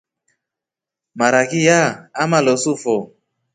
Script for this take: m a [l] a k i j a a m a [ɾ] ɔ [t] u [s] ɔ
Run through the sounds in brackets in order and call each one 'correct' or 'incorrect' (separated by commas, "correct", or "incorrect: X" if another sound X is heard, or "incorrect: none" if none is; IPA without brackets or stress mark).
incorrect: ɾ, incorrect: l, incorrect: s, incorrect: f